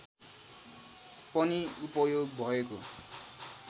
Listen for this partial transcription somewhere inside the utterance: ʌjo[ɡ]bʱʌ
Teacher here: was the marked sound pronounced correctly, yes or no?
yes